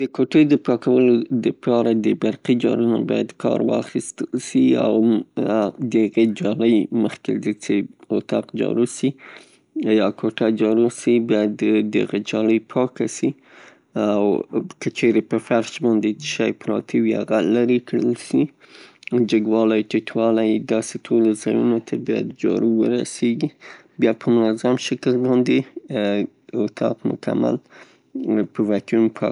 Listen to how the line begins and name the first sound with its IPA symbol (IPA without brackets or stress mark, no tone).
d̪